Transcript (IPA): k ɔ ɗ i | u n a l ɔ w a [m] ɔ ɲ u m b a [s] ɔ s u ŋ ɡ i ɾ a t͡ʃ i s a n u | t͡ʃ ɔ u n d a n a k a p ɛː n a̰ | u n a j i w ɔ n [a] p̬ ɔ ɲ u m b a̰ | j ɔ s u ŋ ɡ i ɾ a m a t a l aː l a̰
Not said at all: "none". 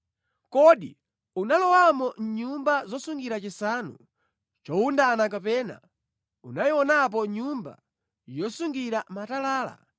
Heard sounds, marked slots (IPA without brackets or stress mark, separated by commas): m, z, a